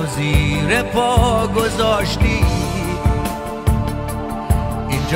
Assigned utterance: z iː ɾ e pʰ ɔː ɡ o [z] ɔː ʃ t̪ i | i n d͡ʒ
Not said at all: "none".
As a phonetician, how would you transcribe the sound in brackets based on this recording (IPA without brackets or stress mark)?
z